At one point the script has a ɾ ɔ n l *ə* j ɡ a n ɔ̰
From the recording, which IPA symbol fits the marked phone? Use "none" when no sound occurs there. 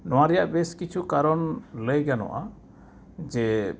ə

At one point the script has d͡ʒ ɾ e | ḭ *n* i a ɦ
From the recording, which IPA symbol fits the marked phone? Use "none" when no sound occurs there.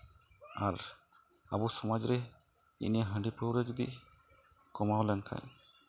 n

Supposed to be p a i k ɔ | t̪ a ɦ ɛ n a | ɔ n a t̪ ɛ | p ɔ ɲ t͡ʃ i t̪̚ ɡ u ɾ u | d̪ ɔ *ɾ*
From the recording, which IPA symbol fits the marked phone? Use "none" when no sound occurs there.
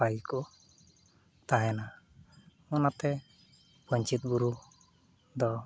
none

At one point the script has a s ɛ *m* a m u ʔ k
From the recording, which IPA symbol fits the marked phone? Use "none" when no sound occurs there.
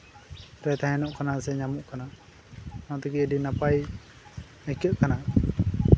ɲ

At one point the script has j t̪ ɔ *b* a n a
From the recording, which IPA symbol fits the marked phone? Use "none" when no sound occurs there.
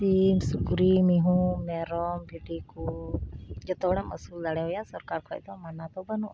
m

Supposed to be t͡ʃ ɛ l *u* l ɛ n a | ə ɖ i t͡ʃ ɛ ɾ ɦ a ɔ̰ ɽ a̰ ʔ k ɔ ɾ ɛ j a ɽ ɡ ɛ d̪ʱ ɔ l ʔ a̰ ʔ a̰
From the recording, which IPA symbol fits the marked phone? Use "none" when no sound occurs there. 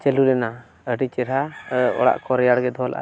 u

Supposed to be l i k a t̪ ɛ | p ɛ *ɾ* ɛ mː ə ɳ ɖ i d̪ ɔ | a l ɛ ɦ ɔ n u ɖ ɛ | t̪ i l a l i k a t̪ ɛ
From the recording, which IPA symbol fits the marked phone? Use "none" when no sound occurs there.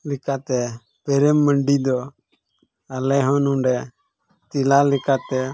ɾ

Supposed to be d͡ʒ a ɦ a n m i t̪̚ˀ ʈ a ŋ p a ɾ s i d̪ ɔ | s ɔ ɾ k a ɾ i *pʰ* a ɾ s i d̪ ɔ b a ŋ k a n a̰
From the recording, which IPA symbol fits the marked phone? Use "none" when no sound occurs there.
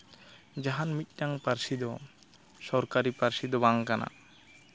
p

